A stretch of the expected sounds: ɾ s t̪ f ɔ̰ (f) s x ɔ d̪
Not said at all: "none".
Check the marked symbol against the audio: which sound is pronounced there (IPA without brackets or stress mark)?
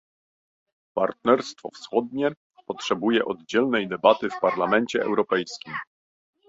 f